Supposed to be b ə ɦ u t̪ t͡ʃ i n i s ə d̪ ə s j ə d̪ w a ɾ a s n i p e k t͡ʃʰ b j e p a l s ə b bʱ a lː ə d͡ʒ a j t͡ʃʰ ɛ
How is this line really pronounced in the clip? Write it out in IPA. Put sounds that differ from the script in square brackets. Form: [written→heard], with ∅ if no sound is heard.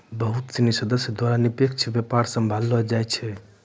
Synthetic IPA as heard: b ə ɦ u t̪ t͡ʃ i n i s ə d̪ ə s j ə d̪ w a ɾ a [s→∅] n i p e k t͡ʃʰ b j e p a [l→ɾ] s ə [b→m] bʱ a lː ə d͡ʒ a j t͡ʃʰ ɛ